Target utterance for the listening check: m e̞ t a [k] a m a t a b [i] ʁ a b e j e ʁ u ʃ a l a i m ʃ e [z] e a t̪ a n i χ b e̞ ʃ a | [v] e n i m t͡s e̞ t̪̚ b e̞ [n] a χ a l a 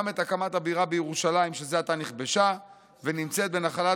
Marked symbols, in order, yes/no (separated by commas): yes, yes, yes, yes, yes